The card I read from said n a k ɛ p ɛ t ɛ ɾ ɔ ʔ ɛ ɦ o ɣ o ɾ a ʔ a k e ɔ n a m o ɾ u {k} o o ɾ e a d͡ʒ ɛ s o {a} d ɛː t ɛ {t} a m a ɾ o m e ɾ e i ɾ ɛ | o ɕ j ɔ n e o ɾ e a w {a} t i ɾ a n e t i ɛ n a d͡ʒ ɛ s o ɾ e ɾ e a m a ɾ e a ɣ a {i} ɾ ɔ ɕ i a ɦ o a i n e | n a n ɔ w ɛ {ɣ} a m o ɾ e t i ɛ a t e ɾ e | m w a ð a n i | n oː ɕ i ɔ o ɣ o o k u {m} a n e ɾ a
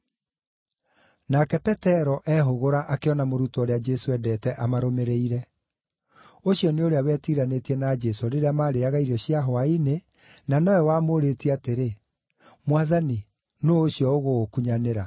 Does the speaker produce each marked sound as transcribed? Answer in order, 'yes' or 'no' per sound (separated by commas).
no, no, no, no, yes, no, no